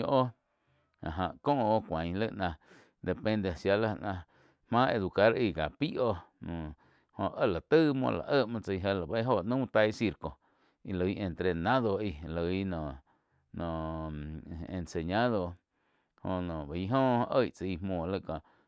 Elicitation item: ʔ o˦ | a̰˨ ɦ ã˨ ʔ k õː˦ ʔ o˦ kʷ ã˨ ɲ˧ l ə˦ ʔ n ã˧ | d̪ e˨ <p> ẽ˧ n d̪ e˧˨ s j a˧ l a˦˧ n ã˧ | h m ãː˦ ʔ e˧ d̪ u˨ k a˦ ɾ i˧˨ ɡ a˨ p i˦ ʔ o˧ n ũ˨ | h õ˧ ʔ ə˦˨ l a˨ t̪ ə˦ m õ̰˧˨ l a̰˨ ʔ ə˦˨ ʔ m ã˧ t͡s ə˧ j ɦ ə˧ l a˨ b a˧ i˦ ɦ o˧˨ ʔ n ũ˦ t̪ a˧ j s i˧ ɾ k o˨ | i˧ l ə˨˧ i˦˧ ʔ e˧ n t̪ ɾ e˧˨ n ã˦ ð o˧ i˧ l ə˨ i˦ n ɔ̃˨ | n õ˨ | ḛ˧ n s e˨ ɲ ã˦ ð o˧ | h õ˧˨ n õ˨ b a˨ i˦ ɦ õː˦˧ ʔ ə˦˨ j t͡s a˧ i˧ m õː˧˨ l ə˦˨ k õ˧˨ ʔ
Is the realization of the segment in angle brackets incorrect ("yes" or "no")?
no